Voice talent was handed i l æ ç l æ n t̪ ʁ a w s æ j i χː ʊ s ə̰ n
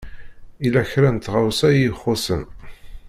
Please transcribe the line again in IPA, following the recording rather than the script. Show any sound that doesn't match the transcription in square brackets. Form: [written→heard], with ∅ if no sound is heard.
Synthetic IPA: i l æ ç [l→ɾ] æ n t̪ ʁ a w s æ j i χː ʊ s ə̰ n